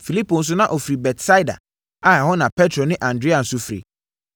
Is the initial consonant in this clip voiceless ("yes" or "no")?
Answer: yes